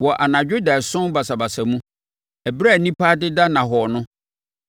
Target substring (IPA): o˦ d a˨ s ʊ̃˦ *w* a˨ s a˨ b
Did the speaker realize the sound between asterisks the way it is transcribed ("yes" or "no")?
no